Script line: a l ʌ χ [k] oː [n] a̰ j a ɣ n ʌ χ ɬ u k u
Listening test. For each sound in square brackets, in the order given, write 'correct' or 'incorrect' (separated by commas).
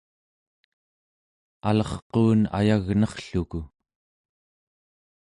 incorrect, correct